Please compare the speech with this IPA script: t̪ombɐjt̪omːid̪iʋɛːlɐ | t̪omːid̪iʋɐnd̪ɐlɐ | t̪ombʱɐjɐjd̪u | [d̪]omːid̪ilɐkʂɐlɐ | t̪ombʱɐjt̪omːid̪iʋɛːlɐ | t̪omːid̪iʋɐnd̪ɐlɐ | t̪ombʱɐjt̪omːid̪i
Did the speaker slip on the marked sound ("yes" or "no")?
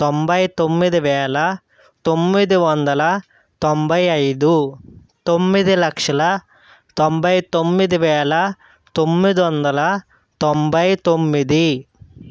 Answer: yes